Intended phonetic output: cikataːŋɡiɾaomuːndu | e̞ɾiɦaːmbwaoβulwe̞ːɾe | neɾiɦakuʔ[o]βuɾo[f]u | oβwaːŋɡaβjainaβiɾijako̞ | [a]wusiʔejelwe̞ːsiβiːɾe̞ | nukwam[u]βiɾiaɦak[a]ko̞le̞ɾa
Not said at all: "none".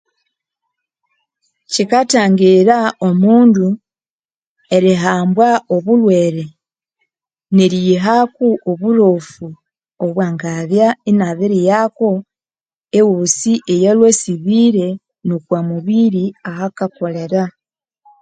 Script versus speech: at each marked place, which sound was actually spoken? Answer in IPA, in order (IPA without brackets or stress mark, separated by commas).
o, f, e, u, a